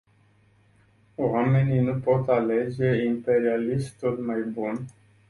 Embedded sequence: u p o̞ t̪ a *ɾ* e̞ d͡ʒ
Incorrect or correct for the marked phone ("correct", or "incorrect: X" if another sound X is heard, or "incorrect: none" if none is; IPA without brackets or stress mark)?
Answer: incorrect: l